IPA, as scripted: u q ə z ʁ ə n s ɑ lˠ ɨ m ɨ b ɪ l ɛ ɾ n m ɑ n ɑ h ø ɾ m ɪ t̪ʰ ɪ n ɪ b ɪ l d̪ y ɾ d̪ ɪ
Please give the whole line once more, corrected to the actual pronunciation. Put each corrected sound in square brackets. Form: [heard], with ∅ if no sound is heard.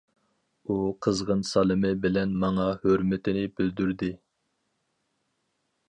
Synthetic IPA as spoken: u [qʰ] ə z ʁ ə n s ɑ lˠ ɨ m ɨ b ɪ l ɛ [∅] n m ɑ [ŋ] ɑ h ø ɾ m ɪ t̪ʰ ɪ n ɪ b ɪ l d̪ y ɾ d̪ ɪ